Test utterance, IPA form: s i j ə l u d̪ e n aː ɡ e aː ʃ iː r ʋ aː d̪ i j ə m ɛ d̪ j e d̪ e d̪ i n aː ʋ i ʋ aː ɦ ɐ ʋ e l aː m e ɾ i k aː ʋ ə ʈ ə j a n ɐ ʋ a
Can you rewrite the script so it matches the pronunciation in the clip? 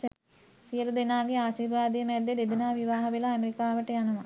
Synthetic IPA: s i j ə l u d̪ e n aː ɡ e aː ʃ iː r ʋ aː d̪ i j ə m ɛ d̪ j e d̪ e d̪ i n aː ʋ i ʋ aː ɦ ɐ ʋ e l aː m e ɾ i k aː ʋ ə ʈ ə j a n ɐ ʋ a